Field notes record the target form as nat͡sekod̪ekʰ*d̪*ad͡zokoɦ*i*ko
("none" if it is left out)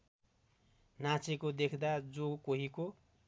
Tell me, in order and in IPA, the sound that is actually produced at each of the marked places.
d̪, i

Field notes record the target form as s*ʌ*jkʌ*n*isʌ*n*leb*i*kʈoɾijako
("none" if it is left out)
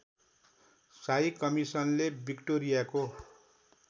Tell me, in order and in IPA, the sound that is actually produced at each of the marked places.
a, m, n, i

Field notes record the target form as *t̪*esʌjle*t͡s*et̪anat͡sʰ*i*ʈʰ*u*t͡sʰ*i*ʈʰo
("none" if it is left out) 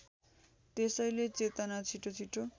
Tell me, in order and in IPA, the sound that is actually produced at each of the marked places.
t̪, t͡s, i, o, i

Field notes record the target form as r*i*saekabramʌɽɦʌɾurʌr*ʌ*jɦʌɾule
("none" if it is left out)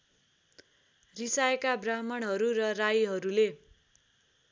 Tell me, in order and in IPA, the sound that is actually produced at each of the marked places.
i, a

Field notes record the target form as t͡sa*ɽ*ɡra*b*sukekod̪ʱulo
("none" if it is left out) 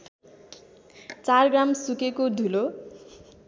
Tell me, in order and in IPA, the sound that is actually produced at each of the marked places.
r, m

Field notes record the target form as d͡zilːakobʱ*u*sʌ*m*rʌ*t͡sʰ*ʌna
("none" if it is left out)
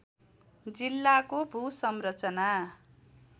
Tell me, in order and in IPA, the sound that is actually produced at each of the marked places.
u, m, t͡s

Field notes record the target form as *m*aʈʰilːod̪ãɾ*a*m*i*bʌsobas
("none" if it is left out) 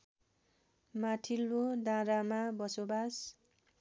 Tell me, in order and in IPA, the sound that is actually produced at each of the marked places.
m, a, a

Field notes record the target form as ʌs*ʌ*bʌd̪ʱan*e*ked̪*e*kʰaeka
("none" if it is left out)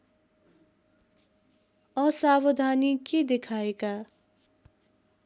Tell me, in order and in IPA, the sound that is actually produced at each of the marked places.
a, i, e

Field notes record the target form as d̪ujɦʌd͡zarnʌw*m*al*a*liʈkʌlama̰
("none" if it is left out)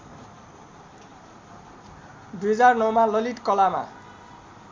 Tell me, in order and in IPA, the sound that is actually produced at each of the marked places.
m, ʌ

